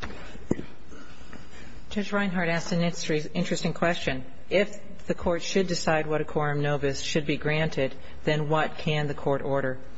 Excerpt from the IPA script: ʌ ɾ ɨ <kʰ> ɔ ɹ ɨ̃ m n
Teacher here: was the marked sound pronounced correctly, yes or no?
yes